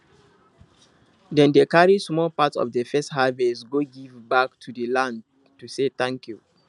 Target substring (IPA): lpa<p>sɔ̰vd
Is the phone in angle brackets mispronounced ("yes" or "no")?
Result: yes